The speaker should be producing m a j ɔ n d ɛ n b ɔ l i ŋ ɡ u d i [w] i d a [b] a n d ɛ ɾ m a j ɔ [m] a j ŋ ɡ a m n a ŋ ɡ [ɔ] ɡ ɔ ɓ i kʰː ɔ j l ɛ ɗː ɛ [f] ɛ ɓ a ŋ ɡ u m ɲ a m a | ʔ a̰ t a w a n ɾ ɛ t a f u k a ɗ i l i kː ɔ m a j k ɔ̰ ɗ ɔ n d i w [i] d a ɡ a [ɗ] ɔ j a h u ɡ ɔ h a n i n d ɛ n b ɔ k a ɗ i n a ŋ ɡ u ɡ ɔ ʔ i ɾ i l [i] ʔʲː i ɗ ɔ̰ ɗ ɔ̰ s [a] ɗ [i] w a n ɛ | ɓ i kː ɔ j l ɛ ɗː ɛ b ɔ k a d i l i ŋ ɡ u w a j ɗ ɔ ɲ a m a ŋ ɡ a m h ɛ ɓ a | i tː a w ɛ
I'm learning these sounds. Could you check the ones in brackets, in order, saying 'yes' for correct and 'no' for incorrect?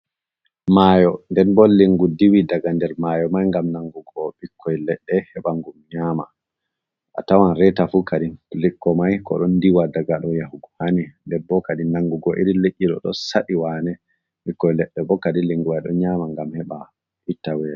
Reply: yes, no, yes, no, no, no, yes, no, yes, yes

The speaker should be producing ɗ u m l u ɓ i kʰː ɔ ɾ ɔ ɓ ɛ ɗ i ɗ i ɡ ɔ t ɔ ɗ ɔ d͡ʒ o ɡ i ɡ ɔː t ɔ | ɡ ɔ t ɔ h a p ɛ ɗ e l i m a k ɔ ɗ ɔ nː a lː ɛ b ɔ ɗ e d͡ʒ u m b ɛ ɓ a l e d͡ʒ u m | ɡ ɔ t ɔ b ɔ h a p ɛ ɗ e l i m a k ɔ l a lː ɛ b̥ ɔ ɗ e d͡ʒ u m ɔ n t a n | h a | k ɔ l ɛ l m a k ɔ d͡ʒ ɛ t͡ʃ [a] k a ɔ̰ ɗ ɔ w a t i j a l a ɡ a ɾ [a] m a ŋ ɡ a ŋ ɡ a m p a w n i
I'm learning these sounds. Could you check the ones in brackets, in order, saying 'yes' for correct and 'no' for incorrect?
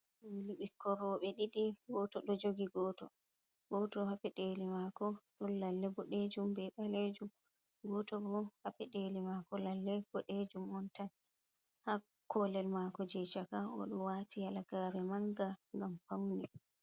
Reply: yes, no

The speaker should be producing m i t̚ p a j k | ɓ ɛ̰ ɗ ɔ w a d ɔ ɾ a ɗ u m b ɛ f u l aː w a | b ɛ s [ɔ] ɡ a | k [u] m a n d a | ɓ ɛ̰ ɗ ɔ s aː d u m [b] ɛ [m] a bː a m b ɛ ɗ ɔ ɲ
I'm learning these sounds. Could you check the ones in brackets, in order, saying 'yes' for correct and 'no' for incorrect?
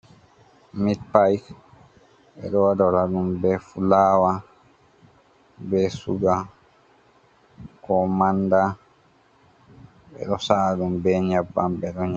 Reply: no, no, yes, no

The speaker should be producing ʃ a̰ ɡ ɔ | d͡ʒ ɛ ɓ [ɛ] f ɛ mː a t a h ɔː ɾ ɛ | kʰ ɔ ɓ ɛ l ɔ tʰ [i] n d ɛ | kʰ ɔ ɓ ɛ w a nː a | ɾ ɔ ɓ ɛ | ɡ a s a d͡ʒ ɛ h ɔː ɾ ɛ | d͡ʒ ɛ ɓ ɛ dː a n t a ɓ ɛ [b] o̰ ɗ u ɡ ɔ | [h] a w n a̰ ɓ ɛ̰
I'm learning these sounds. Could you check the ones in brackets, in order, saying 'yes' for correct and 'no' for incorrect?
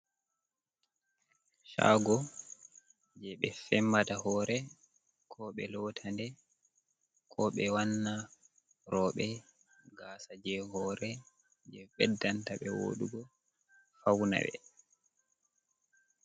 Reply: yes, no, no, no

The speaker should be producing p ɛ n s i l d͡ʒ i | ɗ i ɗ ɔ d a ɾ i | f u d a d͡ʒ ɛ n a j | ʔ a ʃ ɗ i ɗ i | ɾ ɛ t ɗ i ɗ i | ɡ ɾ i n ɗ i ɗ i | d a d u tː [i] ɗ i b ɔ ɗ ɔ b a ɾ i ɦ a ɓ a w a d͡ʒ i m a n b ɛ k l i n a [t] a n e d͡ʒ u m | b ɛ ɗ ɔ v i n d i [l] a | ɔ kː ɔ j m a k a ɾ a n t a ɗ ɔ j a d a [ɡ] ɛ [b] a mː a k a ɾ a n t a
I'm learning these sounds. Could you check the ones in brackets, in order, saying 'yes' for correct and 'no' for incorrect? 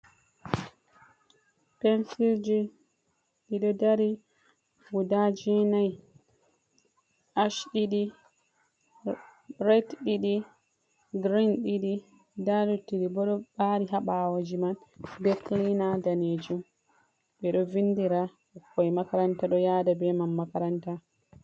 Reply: yes, no, no, no, no

